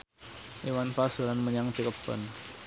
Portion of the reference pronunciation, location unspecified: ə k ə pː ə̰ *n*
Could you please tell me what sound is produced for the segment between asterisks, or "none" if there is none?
n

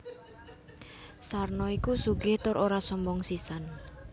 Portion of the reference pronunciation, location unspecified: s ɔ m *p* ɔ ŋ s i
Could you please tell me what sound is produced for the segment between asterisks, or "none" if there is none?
b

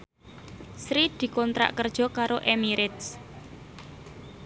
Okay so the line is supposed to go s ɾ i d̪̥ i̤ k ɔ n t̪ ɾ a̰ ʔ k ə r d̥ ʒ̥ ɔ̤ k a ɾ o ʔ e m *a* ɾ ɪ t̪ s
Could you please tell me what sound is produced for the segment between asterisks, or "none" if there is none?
i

